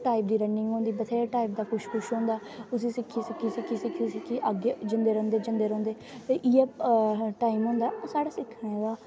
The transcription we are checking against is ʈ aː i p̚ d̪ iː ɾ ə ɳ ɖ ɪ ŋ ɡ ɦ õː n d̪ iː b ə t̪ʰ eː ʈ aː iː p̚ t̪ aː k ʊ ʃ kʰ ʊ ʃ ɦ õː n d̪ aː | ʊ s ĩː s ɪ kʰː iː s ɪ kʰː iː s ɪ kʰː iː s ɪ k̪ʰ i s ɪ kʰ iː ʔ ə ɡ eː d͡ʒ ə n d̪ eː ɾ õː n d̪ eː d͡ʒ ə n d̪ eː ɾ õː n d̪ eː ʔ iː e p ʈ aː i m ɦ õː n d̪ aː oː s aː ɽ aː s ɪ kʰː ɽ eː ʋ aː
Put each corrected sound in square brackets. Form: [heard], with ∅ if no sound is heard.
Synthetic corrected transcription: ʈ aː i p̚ d̪ iː ɾ ə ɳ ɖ ɪ ŋ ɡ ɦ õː n d̪ iː b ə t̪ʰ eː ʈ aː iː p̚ [d̪] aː k ʊ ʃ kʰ ʊ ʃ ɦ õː n d̪ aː | ʊ s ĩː s ɪ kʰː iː s ɪ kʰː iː s ɪ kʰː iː s ɪ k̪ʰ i s ɪ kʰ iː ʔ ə ɡ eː d͡ʒ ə n d̪ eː ɾ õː n d̪ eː d͡ʒ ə n d̪ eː ɾ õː n d̪ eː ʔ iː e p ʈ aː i m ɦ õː n d̪ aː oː s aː ɽ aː s ɪ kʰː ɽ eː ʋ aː